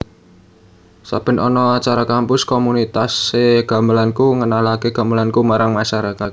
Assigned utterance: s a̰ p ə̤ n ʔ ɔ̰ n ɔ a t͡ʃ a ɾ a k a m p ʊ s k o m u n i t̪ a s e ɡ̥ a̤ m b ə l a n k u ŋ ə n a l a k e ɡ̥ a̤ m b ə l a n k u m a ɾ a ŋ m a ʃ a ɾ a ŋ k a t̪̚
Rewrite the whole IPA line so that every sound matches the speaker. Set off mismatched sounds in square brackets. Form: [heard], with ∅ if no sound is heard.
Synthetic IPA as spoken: s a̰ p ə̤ n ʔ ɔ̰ n ɔ a t͡ʃ a ɾ a k a m p ʊ s k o m u n i t̪ a s e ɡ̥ a̤ m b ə l a n k u ŋ ə n a l a k e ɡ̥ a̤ m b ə l a n k u m a ɾ a ŋ m a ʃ a ɾ a [∅] k a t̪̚